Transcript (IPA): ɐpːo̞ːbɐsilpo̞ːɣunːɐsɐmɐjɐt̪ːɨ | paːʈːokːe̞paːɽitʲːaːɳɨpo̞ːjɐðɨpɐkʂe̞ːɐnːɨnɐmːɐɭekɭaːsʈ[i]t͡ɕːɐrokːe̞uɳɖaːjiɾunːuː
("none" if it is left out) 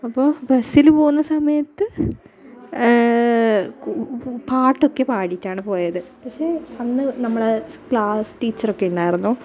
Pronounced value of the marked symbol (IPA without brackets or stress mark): iː